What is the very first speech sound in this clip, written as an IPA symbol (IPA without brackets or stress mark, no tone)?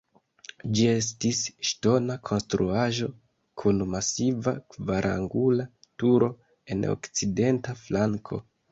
d͡ʒ